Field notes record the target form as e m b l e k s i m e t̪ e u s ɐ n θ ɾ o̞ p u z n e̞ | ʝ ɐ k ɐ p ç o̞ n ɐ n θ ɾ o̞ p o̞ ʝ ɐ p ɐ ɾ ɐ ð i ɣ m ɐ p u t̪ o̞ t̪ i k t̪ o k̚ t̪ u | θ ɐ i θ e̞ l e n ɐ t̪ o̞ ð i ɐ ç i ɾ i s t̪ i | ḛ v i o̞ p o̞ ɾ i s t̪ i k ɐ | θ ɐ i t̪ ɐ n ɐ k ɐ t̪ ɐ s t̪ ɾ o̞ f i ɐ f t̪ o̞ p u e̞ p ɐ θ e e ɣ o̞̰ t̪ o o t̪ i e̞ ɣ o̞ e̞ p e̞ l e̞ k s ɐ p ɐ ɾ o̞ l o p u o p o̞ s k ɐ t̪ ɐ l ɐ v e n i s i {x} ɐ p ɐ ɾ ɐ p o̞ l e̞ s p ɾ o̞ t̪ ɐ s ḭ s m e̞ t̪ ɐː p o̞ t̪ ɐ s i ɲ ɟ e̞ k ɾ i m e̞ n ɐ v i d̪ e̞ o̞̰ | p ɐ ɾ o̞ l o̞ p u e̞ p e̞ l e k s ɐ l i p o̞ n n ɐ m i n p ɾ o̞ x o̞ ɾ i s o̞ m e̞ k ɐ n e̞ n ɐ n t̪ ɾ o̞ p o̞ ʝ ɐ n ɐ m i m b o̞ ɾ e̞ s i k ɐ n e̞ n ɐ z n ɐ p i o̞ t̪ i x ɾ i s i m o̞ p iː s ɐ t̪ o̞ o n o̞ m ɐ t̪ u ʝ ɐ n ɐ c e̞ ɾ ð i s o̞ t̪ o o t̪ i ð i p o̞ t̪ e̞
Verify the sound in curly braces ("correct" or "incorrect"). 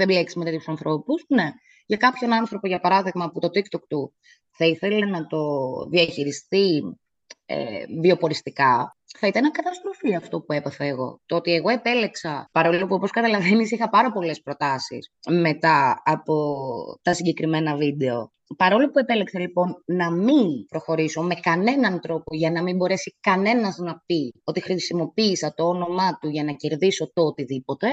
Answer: correct